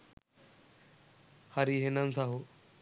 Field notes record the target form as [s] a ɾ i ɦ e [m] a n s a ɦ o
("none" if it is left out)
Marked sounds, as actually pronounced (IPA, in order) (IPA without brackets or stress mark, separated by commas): h, n